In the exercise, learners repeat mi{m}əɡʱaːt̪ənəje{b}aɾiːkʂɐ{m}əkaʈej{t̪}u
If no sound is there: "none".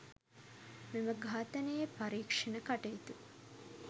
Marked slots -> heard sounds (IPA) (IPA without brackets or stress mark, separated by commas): m, p, n, t̪